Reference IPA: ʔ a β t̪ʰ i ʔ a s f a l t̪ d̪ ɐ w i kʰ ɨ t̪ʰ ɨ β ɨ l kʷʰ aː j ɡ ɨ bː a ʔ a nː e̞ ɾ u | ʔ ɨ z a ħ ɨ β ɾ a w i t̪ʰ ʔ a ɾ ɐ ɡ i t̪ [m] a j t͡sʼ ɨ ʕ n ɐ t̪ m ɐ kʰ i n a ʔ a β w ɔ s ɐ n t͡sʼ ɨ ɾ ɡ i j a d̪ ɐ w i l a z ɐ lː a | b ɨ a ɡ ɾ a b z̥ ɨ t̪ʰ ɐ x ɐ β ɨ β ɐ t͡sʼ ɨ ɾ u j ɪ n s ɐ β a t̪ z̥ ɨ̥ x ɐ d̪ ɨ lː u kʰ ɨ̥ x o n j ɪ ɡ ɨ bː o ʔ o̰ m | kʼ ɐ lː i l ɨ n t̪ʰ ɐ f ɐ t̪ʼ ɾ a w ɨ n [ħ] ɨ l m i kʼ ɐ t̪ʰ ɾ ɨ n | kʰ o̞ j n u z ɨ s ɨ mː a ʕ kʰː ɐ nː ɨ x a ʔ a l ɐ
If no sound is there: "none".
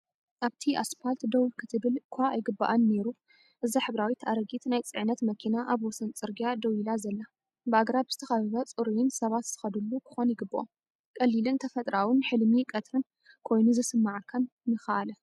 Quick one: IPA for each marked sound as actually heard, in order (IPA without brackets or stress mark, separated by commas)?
n, ħ